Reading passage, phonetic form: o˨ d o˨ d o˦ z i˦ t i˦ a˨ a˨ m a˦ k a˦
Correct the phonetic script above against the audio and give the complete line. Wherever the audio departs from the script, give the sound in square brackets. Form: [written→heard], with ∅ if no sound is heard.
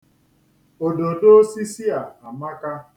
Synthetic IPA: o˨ d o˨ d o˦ [z→s] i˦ [t→s] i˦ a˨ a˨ m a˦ k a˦